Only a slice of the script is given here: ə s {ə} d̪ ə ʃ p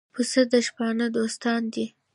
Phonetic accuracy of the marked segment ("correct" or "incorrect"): correct